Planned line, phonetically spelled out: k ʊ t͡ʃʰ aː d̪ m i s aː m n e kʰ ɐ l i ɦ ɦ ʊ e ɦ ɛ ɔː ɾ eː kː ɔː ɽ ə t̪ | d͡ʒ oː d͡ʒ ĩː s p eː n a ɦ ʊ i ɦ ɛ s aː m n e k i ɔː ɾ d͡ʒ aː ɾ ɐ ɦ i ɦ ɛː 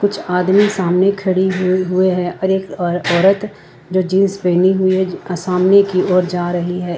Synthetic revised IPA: k ʊ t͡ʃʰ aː d̪ m i s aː m n e kʰ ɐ ɽ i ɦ ɦ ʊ e ɦ ɛ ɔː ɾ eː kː ɔː ɾ ə t̪ | d͡ʒ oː d͡ʒ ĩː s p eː n i ɦ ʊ i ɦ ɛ s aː m n e k i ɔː ɾ d͡ʒ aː ɾ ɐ ɦ i ɦ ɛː